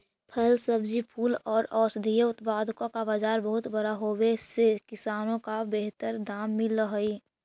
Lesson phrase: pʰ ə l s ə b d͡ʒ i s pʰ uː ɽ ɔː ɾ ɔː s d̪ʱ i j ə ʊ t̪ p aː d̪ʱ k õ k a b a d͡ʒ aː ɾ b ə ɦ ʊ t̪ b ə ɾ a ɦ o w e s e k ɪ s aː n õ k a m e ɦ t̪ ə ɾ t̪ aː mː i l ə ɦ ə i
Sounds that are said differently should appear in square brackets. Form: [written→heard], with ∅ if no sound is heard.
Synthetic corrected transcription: pʰ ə l s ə b d͡ʒ i [s→∅] pʰ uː [ɽ→l] ɔː ɾ ɔː s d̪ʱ i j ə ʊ t̪ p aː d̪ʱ k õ k a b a d͡ʒ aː ɾ b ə ɦ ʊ t̪ b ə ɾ a ɦ o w e s e k ɪ s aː n õ k a [m→b] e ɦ t̪ ə ɾ [t̪→d̪] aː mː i l ə ɦ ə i